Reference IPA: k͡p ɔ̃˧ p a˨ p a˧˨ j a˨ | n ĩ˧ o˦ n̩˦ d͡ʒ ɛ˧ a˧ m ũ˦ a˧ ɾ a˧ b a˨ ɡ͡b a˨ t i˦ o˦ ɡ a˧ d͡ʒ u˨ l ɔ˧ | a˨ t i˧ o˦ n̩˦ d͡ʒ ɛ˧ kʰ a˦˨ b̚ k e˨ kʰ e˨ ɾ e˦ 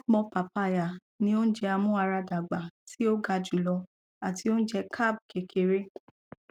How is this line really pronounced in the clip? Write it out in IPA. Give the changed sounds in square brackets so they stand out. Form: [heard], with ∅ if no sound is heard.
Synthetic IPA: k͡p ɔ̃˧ p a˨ p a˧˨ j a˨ | n ĩ˧ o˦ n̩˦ d͡ʒ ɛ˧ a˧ m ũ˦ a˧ ɾ a˧ [d] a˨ ɡ͡b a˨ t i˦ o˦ ɡ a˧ d͡ʒ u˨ l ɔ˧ | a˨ t i˧ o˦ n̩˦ d͡ʒ ɛ˧ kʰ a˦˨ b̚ k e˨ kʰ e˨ ɾ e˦